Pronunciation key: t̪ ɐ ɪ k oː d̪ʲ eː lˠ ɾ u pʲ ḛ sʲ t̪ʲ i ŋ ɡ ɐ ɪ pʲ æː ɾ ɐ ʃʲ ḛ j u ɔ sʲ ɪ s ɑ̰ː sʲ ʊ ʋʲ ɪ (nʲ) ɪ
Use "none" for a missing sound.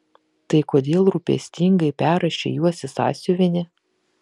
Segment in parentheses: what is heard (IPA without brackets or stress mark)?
nʲ